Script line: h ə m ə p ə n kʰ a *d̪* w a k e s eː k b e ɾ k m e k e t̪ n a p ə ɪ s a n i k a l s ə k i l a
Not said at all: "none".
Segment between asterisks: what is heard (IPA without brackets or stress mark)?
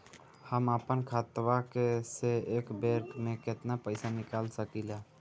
t̪